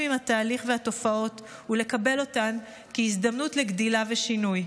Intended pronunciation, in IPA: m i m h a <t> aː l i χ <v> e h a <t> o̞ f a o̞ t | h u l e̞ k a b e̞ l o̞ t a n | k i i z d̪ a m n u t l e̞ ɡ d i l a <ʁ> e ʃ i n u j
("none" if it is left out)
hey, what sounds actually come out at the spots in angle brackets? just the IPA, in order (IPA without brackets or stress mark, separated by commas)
t, v, t, v